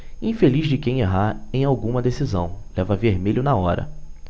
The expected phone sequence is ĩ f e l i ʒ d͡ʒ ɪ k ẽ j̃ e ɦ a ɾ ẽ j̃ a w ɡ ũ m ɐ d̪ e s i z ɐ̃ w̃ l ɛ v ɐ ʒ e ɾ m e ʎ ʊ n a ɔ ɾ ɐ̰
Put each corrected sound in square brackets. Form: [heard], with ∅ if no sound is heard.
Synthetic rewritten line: ĩ f e l i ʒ d͡ʒ ɪ k ẽ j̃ e ɦ a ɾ ẽ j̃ a w ɡ ũ m ɐ d̪ e s i z ɐ̃ w̃ l ɛ v ɐ [v] e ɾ m e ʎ ʊ n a ɔ ɾ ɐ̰